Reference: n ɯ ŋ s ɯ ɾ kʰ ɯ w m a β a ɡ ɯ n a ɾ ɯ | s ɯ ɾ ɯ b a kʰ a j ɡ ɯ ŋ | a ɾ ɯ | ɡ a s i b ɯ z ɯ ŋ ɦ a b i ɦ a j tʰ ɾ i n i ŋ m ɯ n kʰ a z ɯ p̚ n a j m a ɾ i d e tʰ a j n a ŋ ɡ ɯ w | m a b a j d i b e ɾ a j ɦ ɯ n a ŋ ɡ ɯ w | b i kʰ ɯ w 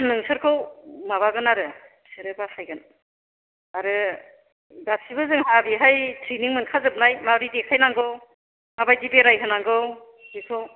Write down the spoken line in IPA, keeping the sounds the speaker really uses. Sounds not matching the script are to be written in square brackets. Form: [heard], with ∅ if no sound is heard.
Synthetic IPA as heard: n ɯ ŋ s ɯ ɾ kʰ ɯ w m a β a ɡ ɯ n a ɾ ɯ | s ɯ ɾ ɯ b a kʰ a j ɡ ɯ [n] | a ɾ ɯ | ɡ a s i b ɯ z ɯ ŋ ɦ a b i ɦ a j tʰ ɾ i n i ŋ m ɯ n kʰ a z ɯ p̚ n a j m a ɾ i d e [kʰ] a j n a ŋ ɡ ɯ w | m a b a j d i b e ɾ a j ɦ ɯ n a ŋ ɡ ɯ w | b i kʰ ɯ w